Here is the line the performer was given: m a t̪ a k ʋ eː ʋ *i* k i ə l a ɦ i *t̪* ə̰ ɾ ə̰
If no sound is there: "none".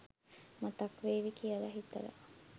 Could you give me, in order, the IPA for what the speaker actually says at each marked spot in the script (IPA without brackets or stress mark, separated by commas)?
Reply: i, t̪